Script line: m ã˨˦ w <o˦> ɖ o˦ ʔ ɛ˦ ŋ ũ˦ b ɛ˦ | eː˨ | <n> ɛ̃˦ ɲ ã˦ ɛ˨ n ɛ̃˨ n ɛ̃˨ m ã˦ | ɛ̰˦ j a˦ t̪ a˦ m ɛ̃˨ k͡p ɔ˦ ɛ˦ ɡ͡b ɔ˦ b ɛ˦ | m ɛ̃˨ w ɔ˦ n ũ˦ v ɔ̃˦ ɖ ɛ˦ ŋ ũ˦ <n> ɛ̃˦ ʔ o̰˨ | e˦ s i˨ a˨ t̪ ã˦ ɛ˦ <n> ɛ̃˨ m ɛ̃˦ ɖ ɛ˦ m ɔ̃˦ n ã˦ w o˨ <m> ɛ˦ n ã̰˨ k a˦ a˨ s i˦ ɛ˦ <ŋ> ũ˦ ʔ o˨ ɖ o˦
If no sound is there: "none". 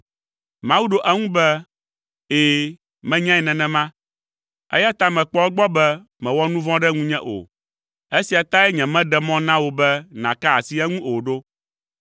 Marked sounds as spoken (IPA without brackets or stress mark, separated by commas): u˦, m, ɲ, ɲ, b, ŋ